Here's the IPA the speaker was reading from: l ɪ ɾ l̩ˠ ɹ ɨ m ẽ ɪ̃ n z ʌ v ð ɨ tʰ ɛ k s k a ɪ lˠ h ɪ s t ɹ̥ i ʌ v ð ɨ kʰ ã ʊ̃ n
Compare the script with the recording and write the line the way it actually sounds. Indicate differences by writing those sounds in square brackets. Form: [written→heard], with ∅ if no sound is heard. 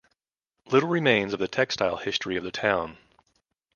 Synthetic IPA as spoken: l ɪ ɾ l̩ˠ ɹ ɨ m ẽ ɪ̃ n z ʌ v ð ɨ tʰ ɛ k s [k→t] a ɪ lˠ h ɪ s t ɹ̥ i ʌ v ð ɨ [kʰ→tʰ] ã ʊ̃ n